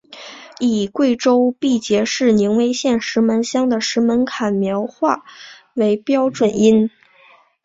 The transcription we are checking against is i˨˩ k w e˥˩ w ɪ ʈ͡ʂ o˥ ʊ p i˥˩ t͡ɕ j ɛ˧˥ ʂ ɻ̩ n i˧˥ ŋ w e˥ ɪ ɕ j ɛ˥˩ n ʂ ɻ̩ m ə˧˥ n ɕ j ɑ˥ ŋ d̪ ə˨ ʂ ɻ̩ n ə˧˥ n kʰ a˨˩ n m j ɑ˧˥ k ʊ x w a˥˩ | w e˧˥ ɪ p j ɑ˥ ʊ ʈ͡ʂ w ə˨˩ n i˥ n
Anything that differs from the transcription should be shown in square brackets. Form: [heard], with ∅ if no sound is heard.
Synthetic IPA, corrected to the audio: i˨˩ k w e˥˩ [∅] ɪ ʈ͡ʂ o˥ ʊ p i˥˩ t͡ɕ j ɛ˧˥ ʂ ɻ̩ n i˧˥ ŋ w e˥ ɪ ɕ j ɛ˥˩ n ʂ ɻ̩ m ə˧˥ n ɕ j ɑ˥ ŋ d̪ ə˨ ʂ ɻ̩ [m] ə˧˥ n kʰ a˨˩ n m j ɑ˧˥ [∅] ʊ x w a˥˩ | w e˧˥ ɪ p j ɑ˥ ʊ ʈ͡ʂ w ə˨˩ n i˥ n